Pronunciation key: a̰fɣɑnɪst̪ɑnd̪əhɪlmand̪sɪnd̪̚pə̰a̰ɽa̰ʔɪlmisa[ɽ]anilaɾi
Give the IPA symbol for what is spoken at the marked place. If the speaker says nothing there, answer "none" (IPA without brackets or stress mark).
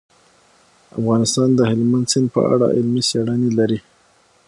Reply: ɽ